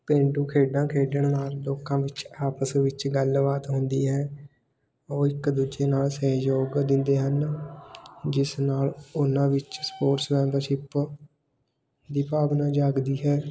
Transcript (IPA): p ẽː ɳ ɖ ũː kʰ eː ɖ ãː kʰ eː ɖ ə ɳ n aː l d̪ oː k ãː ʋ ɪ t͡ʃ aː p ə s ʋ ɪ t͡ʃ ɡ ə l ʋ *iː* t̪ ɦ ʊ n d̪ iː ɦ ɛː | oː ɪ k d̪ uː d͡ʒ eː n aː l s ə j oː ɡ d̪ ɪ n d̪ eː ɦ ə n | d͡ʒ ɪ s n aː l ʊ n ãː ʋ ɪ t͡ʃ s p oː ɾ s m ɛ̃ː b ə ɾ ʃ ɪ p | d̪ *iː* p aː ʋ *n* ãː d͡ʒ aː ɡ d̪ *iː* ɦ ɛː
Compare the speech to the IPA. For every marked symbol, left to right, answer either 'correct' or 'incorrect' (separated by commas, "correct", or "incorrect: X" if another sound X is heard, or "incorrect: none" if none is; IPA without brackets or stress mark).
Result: incorrect: aː, correct, correct, correct